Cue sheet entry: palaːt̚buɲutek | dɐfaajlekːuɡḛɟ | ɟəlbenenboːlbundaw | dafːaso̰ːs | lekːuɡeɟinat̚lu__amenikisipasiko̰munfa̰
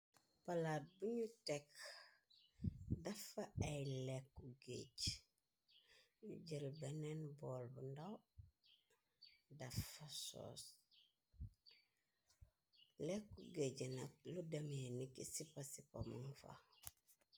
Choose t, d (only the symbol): d